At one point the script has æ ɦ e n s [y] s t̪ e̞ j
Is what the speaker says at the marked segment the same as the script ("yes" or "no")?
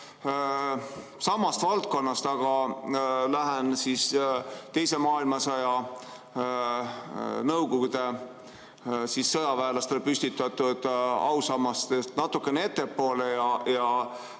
no